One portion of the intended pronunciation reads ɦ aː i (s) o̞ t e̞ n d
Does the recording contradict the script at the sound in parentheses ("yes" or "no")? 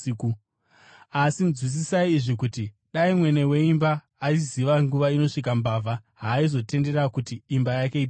yes